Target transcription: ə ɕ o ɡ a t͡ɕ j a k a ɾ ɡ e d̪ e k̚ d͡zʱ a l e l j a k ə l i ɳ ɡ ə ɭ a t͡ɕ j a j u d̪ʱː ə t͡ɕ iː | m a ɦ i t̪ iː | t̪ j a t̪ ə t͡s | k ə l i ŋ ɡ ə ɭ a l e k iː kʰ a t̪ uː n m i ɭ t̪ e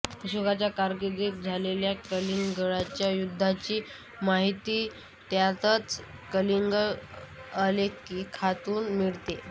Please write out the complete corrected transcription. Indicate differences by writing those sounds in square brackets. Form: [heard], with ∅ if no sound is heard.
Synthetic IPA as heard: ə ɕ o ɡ a t͡ɕ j a k a ɾ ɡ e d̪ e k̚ d͡zʱ a l e l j a k ə l i [ŋ] ɡ ə ɭ a t͡ɕ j a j u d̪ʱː [a] t͡ɕ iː | m a ɦ i t̪ iː | t̪ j a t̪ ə t͡s | k ə l i ŋ ɡ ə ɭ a l e k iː kʰ a t̪ uː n m i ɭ t̪ e

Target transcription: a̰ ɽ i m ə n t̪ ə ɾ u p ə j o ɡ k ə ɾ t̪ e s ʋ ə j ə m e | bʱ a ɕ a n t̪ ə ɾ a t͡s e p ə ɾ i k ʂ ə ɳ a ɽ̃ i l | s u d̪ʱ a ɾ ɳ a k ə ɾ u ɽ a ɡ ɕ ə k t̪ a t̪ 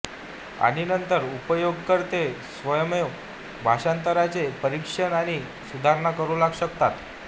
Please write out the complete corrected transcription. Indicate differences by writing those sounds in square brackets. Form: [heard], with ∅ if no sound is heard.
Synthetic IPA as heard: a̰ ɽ i [n] ə n t̪ ə ɾ u p ə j o ɡ k ə ɾ t̪ e s ʋ ə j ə m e | bʱ a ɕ a n t̪ ə ɾ a t͡s e p ə ɾ i k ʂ ə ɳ a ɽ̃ i [∅] | s u d̪ʱ a ɾ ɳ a k ə ɾ u [l] a ɡ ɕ ə k t̪ a t̪

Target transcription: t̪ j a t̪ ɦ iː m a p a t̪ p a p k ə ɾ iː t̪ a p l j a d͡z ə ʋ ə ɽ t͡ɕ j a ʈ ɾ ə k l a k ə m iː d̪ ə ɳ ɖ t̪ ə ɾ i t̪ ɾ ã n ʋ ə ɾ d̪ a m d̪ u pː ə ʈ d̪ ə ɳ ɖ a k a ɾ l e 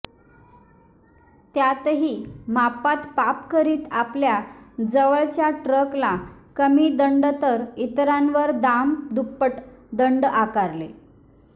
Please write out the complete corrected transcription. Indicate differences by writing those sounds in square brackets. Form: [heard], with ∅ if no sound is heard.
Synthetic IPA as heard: t̪ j a t̪ ɦ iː m a p a t̪ p a p k ə ɾ iː t̪ a p l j a d͡z ə ʋ ə [ɭ] t͡ɕ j a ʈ ɾ ə k l a k ə m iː d̪ ə ɳ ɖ t̪ ə ɾ i t̪ ɾ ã n ʋ ə ɾ d̪ a m d̪ u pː ə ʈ d̪ ə ɳ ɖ a k a ɾ l e

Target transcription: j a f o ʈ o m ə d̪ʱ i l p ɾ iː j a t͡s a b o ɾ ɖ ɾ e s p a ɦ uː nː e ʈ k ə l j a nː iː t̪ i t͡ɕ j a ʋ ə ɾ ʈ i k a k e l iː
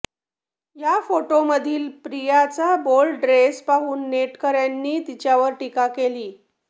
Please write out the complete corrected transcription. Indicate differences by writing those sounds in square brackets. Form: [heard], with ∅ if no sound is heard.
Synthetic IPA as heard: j a f o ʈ o m ə d̪ʱ [iː] l p ɾ [i] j a t͡s a b o [l] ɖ ɾ e s p a ɦ uː nː e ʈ k ə [ɾ] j a nː iː t̪ i t͡ɕ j a ʋ ə ɾ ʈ i k a k e l iː

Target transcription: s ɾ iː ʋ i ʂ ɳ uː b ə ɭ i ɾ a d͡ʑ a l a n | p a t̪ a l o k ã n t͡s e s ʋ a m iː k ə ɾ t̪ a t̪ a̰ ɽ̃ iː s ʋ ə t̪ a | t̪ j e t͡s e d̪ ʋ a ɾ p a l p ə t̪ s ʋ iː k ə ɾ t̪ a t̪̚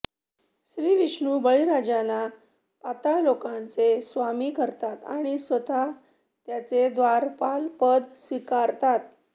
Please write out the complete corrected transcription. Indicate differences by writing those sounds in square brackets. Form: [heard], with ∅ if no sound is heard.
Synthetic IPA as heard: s ɾ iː ʋ i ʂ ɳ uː b ə ɭ i ɾ a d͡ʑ a l a [∅] | p a t̪ a l o k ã n t͡s e s ʋ a m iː k ə ɾ t̪ a t̪ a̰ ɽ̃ [i] s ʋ ə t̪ a | t̪ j [a] t͡s e d̪ ʋ a ɾ p a l p ə [d̪] s ʋ [i] k [a] ɾ t̪ a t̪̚

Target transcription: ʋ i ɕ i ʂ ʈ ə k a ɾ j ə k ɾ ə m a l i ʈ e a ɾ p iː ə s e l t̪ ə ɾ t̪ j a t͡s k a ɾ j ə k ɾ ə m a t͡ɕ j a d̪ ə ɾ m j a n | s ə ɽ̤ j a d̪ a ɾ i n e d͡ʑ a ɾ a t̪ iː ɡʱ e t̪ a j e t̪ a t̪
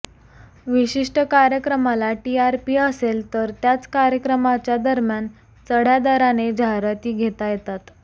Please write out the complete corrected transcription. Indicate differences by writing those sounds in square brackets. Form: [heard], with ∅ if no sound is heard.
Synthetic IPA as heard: ʋ i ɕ i ʂ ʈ ə k a ɾ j ə k ɾ ə m a l [a] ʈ [i] a ɾ p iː ə s e l t̪ ə ɾ t̪ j a t͡s k a ɾ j ə k ɾ ə m a t͡ɕ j a d̪ ə ɾ m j a n | [t͡s] ə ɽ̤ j a d̪ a ɾ [a] n e d͡ʑ a ɾ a t̪ iː ɡʱ e t̪ a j e t̪ a t̪

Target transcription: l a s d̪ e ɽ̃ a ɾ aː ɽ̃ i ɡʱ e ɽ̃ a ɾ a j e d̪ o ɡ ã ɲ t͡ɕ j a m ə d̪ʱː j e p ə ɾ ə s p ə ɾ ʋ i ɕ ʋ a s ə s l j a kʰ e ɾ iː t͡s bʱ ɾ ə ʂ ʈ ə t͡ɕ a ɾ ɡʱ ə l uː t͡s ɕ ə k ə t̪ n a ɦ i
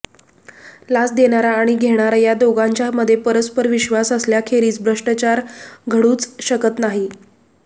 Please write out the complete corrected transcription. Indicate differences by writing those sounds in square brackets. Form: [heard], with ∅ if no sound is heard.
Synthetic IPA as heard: l a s d̪ e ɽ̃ a ɾ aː ɽ̃ i ɡʱ e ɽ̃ a ɾ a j [a] d̪ o ɡ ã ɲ t͡ɕ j a m ə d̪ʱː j e p ə ɾ ə s p ə ɾ ʋ i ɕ ʋ a s ə s l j a kʰ e ɾ iː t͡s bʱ ɾ ə ʂ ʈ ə t͡ɕ a ɾ ɡʱ ə [ɽ] uː t͡s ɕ ə k ə t̪ n a ɦ i

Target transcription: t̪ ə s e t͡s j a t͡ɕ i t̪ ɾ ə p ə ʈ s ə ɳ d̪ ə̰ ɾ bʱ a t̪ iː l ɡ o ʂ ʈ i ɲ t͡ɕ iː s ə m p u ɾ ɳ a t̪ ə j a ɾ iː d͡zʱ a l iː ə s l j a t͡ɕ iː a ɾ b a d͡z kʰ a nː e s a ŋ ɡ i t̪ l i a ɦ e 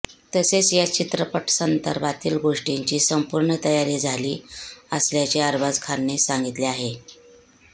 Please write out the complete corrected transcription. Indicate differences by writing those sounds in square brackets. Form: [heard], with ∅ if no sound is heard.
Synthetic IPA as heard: t̪ ə s e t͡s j a t͡ɕ i t̪ ɾ ə p ə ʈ s ə [n] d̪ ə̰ ɾ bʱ a t̪ iː l ɡ o ʂ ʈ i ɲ t͡ɕ iː s ə m p u ɾ ɳ [ə] t̪ ə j a ɾ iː d͡zʱ a l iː ə s l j a t͡ɕ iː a ɾ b a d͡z kʰ a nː e s a ŋ ɡ i t̪ l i a ɦ e

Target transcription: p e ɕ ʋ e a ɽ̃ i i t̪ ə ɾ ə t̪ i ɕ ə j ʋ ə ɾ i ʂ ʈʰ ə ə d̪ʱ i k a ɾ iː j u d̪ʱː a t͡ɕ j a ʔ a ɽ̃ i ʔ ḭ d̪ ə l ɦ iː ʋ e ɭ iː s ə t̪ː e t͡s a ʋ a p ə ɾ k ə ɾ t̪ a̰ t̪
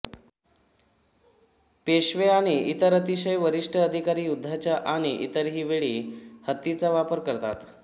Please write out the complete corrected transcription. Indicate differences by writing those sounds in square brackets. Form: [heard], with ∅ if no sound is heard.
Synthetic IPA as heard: p e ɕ ʋ e a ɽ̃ i i t̪ ə ɾ ə t̪ i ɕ ə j ʋ ə ɾ i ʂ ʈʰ ə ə d̪ʱ i k a ɾ iː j u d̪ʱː a t͡ɕ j a ʔ a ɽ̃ i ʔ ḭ [t̪] ə [ɾ] ɦ iː ʋ e ɭ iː [h] ə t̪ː [i] t͡s a ʋ a p ə ɾ k ə ɾ t̪ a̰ t̪

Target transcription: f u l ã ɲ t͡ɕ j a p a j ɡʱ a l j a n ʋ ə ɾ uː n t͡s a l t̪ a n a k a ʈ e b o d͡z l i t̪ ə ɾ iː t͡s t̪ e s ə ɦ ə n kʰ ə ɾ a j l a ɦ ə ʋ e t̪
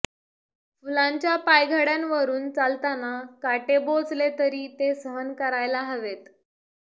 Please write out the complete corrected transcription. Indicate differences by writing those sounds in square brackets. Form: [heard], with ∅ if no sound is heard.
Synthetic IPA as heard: f u l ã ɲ t͡ɕ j a p a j ɡʱ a [ɽ] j a n ʋ ə ɾ uː n t͡s a l t̪ a n a k a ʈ e b o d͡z l [e] t̪ ə ɾ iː [∅] t̪ e s ə ɦ ə n [k] ə ɾ a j l a ɦ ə ʋ e t̪

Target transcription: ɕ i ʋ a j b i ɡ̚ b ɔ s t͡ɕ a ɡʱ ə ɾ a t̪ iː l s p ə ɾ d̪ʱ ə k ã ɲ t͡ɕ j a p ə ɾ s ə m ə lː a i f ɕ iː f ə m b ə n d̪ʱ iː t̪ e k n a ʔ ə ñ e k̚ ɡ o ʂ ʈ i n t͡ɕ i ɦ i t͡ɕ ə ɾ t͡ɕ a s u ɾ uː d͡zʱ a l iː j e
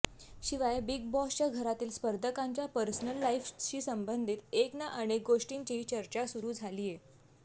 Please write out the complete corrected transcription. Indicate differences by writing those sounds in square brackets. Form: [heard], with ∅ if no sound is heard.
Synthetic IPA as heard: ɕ i ʋ a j b i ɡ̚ b ɔ s t͡ɕ a ɡʱ ə ɾ a t̪ iː l s p ə ɾ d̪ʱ ə k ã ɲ t͡ɕ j a p ə ɾ s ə [n] ə lː a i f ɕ iː [s] ə m b ə n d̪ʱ iː t̪ e k n a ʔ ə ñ e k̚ ɡ o ʂ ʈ i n t͡ɕ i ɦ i t͡ɕ ə ɾ t͡ɕ a s u ɾ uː d͡zʱ a l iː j e

